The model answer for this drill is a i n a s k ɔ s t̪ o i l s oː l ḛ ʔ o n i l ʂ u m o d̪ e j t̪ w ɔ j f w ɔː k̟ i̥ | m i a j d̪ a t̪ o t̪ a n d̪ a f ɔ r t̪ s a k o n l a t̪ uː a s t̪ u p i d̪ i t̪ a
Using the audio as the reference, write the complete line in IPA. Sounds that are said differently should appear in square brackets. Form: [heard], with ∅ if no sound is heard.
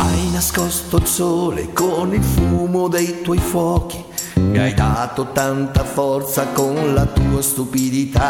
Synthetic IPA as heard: a [j] n a s k ɔ s t̪ o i l s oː l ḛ [k] o n i l [f] u m o d̪ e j t̪ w ɔ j f w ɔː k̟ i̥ | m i a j d̪ a t̪ o t̪ a n [t̪] a f ɔ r t̪ s a k o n l a t̪ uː a s t̪ u p i d̪ i t̪ a